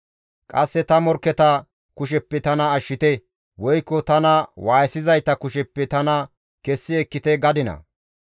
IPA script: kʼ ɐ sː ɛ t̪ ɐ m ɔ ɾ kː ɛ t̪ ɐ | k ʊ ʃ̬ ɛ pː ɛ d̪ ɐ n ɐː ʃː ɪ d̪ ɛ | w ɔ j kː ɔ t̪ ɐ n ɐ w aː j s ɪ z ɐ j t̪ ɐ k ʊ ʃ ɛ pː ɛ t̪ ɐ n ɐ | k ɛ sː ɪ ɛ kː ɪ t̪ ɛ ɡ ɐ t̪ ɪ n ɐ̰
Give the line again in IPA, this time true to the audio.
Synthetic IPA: kʼ ɐ sː ɛ t̪ ɐ m ɔ ɾ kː ɛ t̪ ɐ | k ʊ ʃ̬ ɛ pː ɛ t̪ ɐ n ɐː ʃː ɪ t̪ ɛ | w ɔ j kː ɔ t̪ ɐ n ɐ w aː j s ɪ z ɐ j t̪ ɐ k ʊ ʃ ɛ pː ɛ t̪ ɐ n ɐ | k ɛ sː ɪ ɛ kː ɪ t̪ ɛ ɡ ɐ d̪ ɪ n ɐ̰

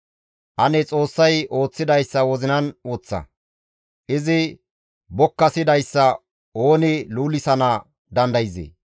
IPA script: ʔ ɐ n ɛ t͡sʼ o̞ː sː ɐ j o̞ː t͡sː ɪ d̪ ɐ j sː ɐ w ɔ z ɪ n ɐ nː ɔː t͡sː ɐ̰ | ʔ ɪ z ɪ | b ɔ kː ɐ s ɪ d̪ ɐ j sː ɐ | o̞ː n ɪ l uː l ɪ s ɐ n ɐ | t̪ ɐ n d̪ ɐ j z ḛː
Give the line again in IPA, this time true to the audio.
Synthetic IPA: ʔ ɐ n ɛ t͡sʼ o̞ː sː ɐ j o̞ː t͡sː ɪ d̪ ɐ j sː ɐ w ɔ z ɪ n ɐ n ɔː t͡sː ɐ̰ | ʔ ɪ z ɪ | b ɔ kː ɐ s ɪ d̪ ɐ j sː ɐ | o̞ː n ɪ l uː l ɪ s ɐ n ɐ | d̪ ɐ n d̪ ɐ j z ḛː

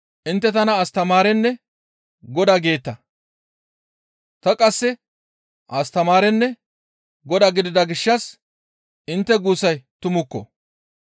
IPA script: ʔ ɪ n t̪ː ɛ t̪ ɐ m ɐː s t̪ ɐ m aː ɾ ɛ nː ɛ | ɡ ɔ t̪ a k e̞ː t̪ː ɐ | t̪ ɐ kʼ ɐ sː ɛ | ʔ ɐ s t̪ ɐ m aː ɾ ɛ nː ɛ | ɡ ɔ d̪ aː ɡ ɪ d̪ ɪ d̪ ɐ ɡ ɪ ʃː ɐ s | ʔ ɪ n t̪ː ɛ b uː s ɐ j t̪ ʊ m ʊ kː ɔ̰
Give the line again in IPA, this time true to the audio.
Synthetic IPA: ʔ ɪ n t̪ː ɛ t̪ ɐ n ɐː s t̪ ɐ m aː ɾ ɛ nː ɛ | ɡ ɔ d̪ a ɡ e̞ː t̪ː ɐ | t̪ ɐ kʼ ɐ sː ɛ | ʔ ɐ s t̪ ɐ m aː ɾ ɛ nː ɛ | ɡ ɔ d̪ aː ɡ ɪ d̪ ɪ d̪ ɐ ɡ ɪ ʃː ɐ s | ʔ ɪ n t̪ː ɛ ɡ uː s ɐ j t̪ ʊ m ʊ kː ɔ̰

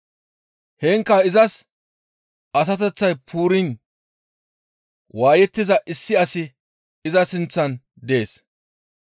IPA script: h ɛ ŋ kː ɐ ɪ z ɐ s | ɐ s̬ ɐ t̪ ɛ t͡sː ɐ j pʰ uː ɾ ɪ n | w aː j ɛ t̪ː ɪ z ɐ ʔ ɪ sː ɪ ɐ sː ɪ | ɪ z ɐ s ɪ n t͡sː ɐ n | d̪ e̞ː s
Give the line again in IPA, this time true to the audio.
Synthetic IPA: h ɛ ŋ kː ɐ ɪ z ɐ s | ɐ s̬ ɐ t̪ ɛ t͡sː ɐ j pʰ uː ɾ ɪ n | w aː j ɛ t̪ː ɪ z ɐ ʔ ɪ sː ɪ ɐ s ɪ | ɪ z ɐ s ɪ n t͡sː ɐ n | d̪ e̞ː s

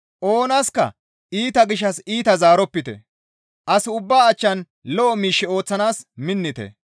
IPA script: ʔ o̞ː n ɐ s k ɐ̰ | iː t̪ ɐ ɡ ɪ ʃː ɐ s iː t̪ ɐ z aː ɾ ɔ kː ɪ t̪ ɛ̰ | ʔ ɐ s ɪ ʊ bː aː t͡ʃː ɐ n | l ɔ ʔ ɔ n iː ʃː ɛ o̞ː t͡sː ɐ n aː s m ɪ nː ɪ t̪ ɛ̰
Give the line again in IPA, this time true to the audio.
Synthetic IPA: ʔ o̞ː n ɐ s k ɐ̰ | iː t̪ ɐ ɡ ɪ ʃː ɐ s iː t̪ ɐ z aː ɾ ɔ pː ɪ t̪ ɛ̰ | ʔ ɐ s ɪ ʊ bː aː t͡ʃː ɐ n | l ɔ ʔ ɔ m iː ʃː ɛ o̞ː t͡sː ɐ n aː s m ɪ nː ɪ t̪ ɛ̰

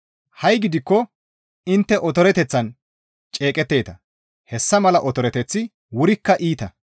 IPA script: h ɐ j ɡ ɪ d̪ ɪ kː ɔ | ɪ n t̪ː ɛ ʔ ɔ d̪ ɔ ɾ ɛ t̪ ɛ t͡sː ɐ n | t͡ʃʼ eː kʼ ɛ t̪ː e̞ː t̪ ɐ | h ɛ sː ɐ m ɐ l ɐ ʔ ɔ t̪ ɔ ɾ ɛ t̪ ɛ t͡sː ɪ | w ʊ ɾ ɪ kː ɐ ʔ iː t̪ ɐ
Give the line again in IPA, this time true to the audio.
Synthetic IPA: h ɐ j ɡ ɪ d̪ ɪ kː ɔ | ɪ n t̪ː ɛ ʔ ɔ t̪ ɔ ɾ ɛ t̪ ɛ t͡sː ɐ n | t͡ʃʼ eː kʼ ɛ t̪ː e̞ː t̪ ɐ | h ɛ sː ɐ m ɐ l ɐ ʔ ɔ t̪ ɔ ɾ ɛ t̪ ɛ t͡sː ɪ | w ʊ ɾ ɪ kː ɐ ʔ iː t̪ ɐ

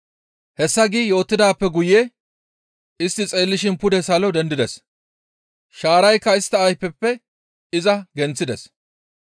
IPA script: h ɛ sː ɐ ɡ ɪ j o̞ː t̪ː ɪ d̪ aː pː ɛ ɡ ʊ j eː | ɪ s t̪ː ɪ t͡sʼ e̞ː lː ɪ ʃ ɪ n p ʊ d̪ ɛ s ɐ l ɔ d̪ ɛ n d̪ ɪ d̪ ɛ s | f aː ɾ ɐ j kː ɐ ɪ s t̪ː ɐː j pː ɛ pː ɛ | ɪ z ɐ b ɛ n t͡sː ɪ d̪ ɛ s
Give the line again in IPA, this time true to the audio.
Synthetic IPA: h ɛ sː ɐ ɡ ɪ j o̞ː t̪ː ɪ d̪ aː pː ɛ ɡ ʊ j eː | ɪ s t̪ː ɪ t͡sʼ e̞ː lː ɪ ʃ ɪ n p ʊ d̪ ɛ s ɐ l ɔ d̪ ɛ n d̪ ɪ d̪ ɛ s | ʃ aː ɾ ɐ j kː ɐ ɪ s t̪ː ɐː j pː ɛ pː ɛ | ɪ z ɐ ɡ ɛ n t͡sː ɪ d̪ ɛ s

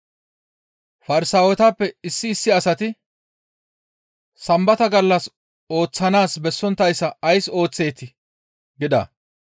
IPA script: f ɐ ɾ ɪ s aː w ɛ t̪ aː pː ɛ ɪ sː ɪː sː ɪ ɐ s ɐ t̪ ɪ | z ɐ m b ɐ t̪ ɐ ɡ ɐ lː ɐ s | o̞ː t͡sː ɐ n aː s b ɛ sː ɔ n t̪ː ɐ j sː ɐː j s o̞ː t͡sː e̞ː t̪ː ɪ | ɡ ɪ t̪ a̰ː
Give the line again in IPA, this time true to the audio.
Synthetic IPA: f ɐ ɾ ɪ s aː w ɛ t̪ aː pː ɛ ɪ sː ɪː sː ɪ ɐ s ɐ t̪ ɪ | s ɐ m b ɐ t̪ ɐ ɡ ɐ lː ɐ s | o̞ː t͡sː ɐ n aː s b ɛ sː ɔ n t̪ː ɐ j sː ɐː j s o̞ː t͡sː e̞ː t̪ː ɪ | ɡ ɪ d̪ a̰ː

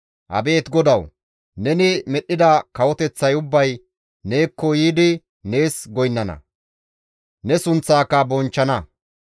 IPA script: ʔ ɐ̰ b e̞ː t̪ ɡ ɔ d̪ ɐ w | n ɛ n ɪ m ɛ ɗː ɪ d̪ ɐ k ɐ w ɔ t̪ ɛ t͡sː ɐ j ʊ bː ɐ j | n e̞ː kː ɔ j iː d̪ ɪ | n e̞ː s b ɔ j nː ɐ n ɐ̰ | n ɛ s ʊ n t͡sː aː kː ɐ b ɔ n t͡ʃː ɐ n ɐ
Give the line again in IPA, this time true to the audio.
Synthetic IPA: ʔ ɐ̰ b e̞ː t̪ ɡ ɔ d̪ ɐ w | n ɛ n ɪ m ɛ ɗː ɪ d̪ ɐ k ɐ w ɔ t̪ ɛ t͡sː ɐ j ʊ bː ɐ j | n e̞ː kː ɔ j iː d̪ ɪ | n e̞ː s ɡ ɔ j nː ɐ n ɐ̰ | n ɛ s ʊ n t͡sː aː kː ɐ b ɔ n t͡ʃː ɐ n ɐ

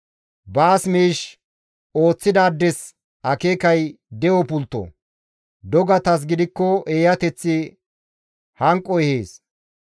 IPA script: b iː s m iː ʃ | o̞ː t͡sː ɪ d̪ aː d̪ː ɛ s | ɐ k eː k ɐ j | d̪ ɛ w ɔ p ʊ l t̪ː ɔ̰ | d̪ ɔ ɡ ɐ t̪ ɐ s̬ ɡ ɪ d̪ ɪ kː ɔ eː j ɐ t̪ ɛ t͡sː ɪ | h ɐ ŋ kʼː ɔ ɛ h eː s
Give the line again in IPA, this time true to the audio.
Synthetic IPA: b aː s m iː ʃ | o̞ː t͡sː ɪ d̪ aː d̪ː ɛ s | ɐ k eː k ɐ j | d̪ ɛ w ɔ p ʊ l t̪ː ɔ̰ | d̪ ɔ ɡ ɐ t̪ ɐ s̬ ɡ ɪ d̪ ɪ kː ɔ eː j ɐ t̪ ɛ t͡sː ɪ | h ɐ ŋ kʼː ɔ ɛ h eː s

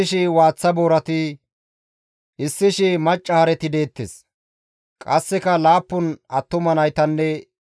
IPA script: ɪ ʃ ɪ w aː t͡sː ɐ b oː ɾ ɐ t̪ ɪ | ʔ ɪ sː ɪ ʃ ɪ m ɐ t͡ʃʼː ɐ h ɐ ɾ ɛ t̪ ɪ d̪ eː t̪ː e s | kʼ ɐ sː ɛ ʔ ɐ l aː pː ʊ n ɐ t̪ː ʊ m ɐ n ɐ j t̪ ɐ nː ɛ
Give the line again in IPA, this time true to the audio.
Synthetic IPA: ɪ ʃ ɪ w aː t͡sː ɐ b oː ɾ ɐ t̪ ɪ | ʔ ɪ sː ɪ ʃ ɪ m ɐ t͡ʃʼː ɐ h ɐ ɾ ɛ t̪ ɪ d̪ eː t̪ː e s | kʼ ɐ sː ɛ k ɐ l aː pː ʊ n ɐ t̪ː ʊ m ɐ n ɐ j t̪ ɐ nː ɛ

